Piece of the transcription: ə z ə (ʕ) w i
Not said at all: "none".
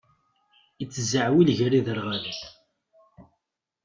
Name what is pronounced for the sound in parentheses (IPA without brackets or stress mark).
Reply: ʕ